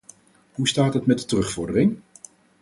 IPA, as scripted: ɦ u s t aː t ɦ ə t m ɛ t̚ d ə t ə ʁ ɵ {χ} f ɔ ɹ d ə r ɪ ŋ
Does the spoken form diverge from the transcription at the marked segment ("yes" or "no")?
no